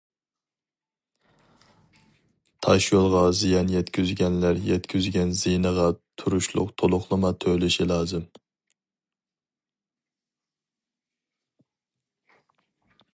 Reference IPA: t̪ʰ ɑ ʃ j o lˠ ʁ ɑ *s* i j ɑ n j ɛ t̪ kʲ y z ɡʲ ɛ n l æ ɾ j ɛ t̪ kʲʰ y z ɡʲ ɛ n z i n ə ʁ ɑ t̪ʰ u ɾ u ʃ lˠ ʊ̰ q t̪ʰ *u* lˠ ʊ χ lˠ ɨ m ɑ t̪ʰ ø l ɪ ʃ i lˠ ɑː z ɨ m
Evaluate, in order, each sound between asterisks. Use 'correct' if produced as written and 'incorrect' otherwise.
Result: incorrect, incorrect

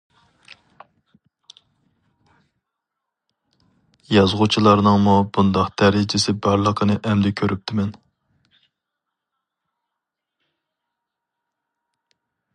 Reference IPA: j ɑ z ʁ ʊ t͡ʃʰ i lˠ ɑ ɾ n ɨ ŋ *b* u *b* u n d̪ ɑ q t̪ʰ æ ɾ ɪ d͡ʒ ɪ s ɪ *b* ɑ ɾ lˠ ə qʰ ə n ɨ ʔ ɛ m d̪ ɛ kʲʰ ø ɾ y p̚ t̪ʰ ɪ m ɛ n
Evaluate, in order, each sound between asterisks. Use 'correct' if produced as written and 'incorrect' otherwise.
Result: incorrect, correct, correct

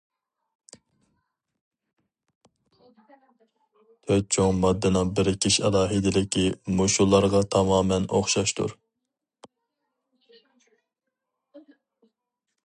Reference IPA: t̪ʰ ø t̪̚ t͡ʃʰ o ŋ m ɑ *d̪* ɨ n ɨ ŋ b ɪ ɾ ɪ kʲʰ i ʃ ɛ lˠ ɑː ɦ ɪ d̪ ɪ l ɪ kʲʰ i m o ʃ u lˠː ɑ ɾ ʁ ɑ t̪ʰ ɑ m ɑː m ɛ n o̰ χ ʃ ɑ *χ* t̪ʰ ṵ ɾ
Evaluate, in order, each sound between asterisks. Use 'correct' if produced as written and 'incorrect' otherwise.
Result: incorrect, incorrect

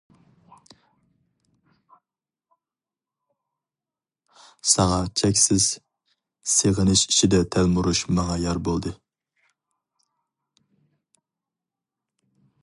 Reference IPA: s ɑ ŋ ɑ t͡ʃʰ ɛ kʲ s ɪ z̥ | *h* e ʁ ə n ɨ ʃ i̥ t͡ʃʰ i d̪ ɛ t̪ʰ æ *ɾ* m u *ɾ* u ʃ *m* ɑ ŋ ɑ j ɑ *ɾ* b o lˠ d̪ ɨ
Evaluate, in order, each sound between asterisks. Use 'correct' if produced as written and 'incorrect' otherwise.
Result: incorrect, incorrect, correct, correct, correct

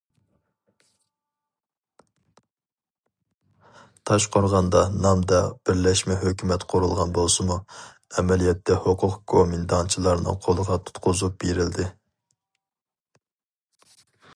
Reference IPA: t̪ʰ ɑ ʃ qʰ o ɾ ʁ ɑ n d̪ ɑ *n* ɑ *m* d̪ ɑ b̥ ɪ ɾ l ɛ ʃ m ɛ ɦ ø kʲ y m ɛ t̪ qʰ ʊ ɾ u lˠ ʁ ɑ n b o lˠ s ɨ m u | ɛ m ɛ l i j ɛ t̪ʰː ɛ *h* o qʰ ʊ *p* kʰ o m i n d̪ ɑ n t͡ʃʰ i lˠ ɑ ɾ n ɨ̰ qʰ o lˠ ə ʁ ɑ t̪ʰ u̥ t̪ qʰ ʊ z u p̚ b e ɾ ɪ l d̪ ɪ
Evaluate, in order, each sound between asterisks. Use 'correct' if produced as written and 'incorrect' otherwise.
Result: correct, correct, correct, incorrect

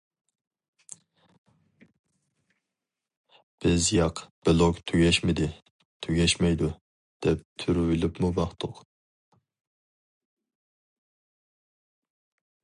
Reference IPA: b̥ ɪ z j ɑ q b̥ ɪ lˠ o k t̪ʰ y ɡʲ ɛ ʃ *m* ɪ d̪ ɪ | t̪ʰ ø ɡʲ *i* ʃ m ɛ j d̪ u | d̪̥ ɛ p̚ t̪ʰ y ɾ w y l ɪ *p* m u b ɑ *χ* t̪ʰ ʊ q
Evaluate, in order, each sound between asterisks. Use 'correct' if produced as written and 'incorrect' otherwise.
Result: correct, incorrect, correct, correct

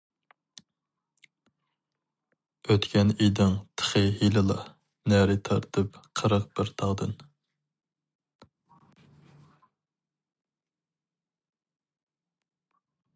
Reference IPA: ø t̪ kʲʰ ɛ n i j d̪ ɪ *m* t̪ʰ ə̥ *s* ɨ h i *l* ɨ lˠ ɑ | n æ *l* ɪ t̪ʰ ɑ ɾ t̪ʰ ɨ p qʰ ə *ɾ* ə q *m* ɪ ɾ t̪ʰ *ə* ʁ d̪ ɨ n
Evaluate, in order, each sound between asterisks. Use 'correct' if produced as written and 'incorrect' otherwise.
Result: incorrect, incorrect, correct, incorrect, correct, incorrect, incorrect

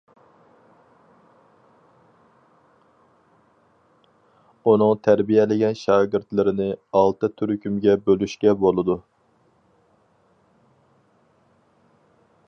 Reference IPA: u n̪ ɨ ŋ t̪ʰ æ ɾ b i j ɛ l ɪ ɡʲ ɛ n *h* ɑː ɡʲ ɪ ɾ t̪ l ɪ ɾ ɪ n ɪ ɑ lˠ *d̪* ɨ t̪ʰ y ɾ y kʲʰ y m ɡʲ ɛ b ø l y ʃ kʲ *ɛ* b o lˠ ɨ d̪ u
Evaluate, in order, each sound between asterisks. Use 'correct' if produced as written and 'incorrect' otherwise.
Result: incorrect, incorrect, correct

